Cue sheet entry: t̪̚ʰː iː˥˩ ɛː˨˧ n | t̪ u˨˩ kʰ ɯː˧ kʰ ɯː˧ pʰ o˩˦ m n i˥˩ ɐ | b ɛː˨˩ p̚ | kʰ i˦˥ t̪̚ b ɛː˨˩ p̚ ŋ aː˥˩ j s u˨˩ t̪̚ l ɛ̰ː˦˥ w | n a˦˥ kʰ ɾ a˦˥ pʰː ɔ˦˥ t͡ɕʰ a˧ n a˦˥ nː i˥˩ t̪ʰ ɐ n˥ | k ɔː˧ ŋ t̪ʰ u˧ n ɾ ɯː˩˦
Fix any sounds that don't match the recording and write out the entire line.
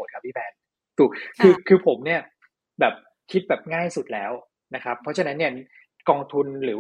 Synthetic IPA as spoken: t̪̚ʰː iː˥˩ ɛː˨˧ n | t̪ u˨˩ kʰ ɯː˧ kʰ ɯː˧ pʰ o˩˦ m n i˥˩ ɐ | b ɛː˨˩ p̚ | kʰ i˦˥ t̪̚ b ɛː˨˩ p̚ ŋ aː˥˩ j s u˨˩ t̪̚ l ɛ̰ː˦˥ w | n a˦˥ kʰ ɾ a˦˥ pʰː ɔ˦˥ t͡ɕʰ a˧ n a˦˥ nː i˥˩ ɐ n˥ | k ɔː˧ ŋ t̪ʰ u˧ n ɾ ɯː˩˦